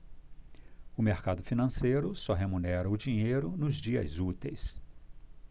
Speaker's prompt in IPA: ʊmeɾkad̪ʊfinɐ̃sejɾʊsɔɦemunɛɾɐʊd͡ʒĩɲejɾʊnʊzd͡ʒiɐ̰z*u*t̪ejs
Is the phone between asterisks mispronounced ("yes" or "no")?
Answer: no